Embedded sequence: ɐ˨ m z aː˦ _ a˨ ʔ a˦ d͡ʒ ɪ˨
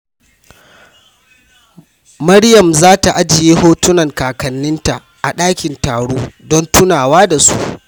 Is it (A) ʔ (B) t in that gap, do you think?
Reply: B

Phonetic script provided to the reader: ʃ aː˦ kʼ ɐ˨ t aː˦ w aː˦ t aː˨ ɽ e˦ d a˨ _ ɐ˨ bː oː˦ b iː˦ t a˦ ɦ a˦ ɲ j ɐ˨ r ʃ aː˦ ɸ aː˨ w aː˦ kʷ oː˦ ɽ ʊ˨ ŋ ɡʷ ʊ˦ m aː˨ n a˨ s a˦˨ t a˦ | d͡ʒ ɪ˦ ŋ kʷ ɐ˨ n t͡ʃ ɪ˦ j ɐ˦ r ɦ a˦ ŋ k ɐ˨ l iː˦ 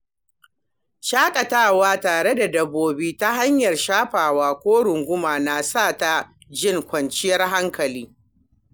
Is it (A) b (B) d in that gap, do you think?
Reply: B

